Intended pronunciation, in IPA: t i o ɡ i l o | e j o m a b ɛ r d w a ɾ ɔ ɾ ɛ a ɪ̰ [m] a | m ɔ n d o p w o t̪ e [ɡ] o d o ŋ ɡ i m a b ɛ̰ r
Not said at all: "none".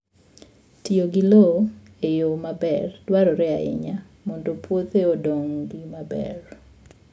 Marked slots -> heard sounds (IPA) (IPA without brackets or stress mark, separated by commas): ɲ, none